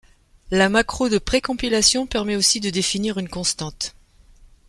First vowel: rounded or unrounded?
unrounded